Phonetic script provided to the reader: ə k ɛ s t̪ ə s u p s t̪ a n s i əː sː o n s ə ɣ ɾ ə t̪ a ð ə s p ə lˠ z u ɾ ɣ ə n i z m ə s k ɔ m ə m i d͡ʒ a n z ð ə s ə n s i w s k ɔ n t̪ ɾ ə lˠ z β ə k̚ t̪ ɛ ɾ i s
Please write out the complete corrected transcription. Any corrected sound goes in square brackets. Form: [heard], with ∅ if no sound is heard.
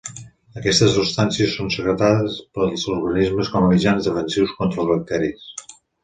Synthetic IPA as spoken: ə k ɛ s t̪ ə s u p s t̪ a n s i [ə] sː o n s ə ɣ ɾ ə t̪ a ð ə s p ə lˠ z u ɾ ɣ ə n i z m ə s k ɔ m ə m i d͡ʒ a n z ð ə [f] ə n s i w s k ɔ n t̪ ɾ ə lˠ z β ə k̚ t̪ ɛ ɾ i s

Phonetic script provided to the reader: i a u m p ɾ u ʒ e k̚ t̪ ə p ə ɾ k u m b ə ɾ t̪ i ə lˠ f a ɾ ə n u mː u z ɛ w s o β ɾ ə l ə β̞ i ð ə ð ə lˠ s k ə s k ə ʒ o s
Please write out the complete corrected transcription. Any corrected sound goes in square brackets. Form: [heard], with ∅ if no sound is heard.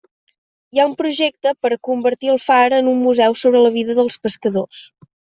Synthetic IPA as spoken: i a u m p ɾ u ʒ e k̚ t̪ ə p ə ɾ k u m b ə ɾ t̪ i ə lˠ f a ɾ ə n u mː u z ɛ w s o β ɾ ə l ə β̞ i ð ə ð ə lˠ s [p] ə s k ə [ð] o s

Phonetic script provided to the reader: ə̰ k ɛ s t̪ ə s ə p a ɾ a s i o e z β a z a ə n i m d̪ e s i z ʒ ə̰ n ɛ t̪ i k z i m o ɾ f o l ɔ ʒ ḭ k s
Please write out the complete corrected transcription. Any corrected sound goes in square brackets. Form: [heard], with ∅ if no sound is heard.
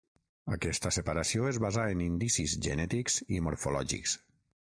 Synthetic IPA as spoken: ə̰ k ɛ s t̪ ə s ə p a ɾ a s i o e z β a z a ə n i [n] d̪ [i] s i z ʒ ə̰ n ɛ t̪ i k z i m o ɾ f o l ɔ ʒ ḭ k s

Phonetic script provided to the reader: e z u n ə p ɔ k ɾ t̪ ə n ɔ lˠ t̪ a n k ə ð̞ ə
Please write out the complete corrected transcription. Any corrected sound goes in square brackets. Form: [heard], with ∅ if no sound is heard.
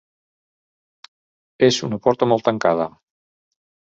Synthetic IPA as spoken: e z u n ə p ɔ [∅] ɾ t̪ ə [m] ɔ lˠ t̪ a [ŋ] k [a] ð̞ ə

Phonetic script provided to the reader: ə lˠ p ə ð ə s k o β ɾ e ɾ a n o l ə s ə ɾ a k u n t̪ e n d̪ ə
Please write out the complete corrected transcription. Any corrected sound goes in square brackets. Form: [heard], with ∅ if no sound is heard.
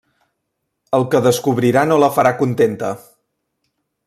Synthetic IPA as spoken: ə lˠ [k] ə ð ə s k [u] β ɾ [i] ɾ a n o l ə [f] ə ɾ a k u n t̪ e n [t̪] ə

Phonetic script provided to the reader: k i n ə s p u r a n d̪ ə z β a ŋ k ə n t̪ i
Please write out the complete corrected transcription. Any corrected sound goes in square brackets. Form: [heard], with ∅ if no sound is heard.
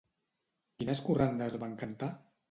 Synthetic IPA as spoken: k i n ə s [k] u r a n d̪ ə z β a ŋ k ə n t̪ [a]

